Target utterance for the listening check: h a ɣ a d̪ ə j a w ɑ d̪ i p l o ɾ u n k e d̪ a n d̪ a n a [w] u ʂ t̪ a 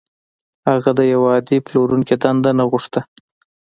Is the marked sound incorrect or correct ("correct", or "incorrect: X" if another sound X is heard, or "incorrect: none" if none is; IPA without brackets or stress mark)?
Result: incorrect: ɣ